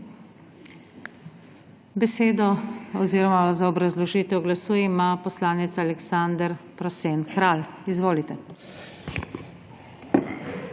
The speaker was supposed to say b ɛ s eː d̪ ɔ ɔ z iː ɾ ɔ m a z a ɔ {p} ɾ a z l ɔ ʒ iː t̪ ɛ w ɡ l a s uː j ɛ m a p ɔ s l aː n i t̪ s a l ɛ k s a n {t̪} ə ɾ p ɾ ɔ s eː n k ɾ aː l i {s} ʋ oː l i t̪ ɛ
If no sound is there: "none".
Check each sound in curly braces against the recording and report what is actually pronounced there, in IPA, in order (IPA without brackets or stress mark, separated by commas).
b, d̪, z